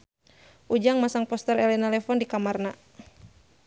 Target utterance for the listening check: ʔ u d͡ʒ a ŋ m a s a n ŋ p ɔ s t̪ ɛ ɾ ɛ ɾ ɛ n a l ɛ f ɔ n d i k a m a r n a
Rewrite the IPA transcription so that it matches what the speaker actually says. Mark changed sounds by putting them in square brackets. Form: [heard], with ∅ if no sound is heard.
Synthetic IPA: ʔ u d͡ʒ a ŋ m a s a [∅] ŋ p ɔ s t̪ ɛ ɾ ɛ [l] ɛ n a l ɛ f ɔ n d i k a m a r n a

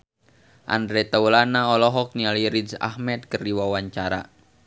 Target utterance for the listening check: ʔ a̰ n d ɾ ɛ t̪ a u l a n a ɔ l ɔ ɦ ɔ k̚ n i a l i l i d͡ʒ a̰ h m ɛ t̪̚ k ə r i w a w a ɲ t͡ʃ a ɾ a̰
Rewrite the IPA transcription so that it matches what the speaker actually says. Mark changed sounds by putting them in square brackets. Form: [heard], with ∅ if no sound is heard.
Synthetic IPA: ʔ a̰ n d ɾ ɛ t̪ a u l a n a ɔ l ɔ ɦ ɔ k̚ n i a l i [ɾ] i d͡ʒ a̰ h m ɛ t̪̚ k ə r i w a w a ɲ t͡ʃ a ɾ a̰

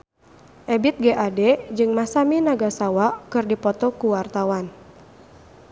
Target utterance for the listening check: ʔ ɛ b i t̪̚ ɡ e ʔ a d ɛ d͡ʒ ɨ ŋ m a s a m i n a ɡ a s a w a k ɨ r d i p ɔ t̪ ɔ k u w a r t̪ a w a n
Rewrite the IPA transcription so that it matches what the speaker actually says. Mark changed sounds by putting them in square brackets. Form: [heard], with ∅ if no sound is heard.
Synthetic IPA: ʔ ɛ b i t̪̚ ɡ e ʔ a d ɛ d͡ʒ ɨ ŋ m a s a m i n a ɡ a s a w a k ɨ r d i p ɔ t̪ ɔ k u w a r t̪ a w a n

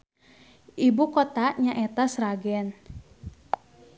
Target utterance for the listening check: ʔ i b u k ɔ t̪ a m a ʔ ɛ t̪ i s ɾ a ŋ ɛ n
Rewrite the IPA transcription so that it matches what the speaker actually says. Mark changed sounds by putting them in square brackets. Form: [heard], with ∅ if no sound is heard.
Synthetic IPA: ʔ i b u k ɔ t̪ a [ɲ] a ʔ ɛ t̪ [a] s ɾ a [ɡ] ɛ n

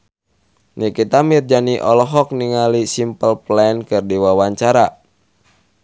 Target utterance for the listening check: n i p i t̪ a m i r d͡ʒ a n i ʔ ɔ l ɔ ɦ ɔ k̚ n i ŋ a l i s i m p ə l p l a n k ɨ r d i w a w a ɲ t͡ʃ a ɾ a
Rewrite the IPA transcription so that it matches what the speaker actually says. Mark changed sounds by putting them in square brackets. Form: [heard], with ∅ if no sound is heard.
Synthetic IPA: n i [k] i t̪ a m i r d͡ʒ a n i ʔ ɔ l ɔ ɦ ɔ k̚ n i ŋ a l i s i m p ə l p l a n k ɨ r d i w a w a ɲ t͡ʃ a ɾ a

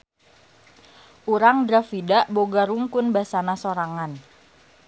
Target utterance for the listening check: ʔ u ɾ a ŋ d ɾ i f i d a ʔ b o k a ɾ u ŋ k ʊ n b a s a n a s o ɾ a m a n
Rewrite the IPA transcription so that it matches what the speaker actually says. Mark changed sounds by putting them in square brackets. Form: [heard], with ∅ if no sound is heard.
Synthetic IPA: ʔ u ɾ a ŋ d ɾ [a] f i d a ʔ b o [ɡ] a ɾ u ŋ k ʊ n b a s a n a s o ɾ a [ŋ] a n

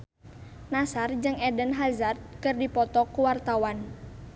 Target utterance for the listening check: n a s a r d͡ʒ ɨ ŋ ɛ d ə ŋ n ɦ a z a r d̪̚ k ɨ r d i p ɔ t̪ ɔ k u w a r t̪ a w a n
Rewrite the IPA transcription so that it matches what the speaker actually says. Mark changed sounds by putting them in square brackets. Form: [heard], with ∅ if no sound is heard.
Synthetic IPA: n a s a r d͡ʒ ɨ ŋ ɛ d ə [∅] n ɦ a z a r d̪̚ k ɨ r d i p ɔ t̪ ɔ k u w a r t̪ a w a n

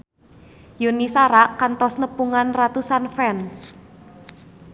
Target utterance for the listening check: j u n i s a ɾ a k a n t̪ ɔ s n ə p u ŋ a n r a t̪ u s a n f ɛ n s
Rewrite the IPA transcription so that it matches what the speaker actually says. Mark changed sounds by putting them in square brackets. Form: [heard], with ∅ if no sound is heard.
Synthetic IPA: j u n i s a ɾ a k a n t̪ ɔ s n ə p u ŋ a n r a t̪ u s a n f ɛ n s

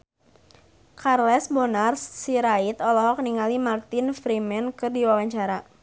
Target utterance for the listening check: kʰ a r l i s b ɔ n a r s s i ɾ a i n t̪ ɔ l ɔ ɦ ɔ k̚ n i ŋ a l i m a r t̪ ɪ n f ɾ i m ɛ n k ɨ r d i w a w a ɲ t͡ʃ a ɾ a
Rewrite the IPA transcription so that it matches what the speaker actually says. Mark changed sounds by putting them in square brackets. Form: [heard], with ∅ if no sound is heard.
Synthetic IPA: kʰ a r l [ɛ] s b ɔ n a r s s i ɾ a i [∅] t̪ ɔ l ɔ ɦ ɔ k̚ n i ŋ a l i m a r t̪ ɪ n f ɾ i m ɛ n k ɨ r d i w a w a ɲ t͡ʃ a ɾ a

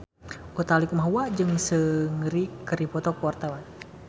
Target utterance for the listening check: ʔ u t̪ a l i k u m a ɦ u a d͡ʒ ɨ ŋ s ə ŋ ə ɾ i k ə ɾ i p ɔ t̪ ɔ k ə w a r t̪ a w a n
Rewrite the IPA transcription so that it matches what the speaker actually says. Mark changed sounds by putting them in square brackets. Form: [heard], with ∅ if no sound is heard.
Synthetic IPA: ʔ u t̪ a l i k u m a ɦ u a d͡ʒ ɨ ŋ s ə ŋ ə ɾ i k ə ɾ i p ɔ t̪ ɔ k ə w a r t̪ a w a n

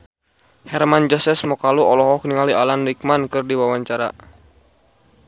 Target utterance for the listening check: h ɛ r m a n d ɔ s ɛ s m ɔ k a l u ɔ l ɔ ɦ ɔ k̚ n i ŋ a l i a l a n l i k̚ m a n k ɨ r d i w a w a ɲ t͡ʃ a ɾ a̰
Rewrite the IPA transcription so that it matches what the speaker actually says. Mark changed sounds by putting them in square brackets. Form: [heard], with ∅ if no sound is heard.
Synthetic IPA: h ɛ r m a n [d͡ʒ] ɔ s ɛ s m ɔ k a l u ɔ l ɔ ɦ ɔ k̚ n i ŋ a l i a l a n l i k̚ m a n k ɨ r d i w a w a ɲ t͡ʃ a ɾ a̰

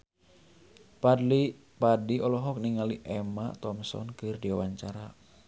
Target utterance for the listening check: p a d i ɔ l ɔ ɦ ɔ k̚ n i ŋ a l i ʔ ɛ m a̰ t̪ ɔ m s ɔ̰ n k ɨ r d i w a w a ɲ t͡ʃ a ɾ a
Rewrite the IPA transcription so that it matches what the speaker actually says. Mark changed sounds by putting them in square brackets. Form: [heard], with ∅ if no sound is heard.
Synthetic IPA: p a d i ɔ l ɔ ɦ ɔ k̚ n i ŋ a l i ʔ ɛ m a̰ t̪ ɔ m s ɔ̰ n k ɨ r d i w a w a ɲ t͡ʃ a ɾ a

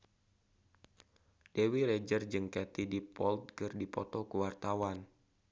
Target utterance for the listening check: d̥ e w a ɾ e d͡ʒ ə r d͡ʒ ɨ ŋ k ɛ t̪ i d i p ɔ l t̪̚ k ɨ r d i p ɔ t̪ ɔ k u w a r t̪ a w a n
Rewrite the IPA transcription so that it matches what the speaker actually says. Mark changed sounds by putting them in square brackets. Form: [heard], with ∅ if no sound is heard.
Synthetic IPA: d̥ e w [i] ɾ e d͡ʒ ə r d͡ʒ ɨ ŋ k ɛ t̪ i d i p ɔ l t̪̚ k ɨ r d i p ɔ t̪ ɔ k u w a r t̪ a w a n

